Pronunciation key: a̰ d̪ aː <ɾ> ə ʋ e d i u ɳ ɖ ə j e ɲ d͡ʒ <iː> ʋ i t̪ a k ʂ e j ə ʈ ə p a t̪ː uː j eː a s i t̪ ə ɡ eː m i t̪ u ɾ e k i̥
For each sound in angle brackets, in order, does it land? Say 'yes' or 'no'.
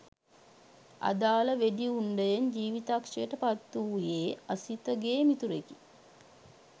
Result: no, yes

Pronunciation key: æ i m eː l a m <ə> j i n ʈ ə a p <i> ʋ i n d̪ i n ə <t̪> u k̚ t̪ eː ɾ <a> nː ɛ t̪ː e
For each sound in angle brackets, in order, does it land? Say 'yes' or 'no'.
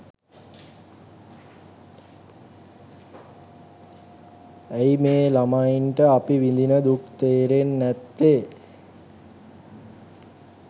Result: no, yes, no, no

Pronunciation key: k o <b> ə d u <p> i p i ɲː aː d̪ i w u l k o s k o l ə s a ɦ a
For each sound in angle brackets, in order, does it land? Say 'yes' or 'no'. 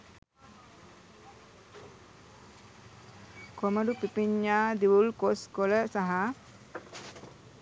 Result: no, yes

